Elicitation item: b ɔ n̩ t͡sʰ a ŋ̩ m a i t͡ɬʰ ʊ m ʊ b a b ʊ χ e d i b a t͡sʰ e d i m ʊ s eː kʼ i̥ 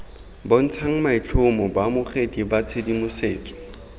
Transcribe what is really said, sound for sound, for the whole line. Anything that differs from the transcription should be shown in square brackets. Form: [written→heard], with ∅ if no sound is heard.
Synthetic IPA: b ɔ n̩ t͡sʰ a ŋ̩ m a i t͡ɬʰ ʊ m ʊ b a [b→m] ʊ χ e d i b a t͡sʰ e d i m ʊ s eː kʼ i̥